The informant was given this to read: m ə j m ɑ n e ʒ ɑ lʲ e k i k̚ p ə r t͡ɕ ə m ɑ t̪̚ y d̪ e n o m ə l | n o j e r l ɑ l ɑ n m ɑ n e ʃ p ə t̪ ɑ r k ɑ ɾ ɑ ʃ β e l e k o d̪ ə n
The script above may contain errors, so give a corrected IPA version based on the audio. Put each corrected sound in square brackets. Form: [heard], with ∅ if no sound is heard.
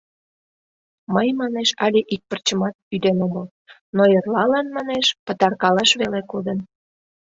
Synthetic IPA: m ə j m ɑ n e [ʃ] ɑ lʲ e [ʔ] i k̚ p ə r t͡ɕ ə m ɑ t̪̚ y d̪ e n o m ə l | n o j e r l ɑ l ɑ n m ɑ n e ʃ p ə t̪ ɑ r k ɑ [l] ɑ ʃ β e l e k o d̪ ə n